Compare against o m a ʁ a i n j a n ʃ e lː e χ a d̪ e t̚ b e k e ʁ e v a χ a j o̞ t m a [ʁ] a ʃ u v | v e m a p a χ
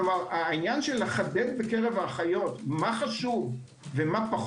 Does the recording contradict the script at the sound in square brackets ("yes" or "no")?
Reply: yes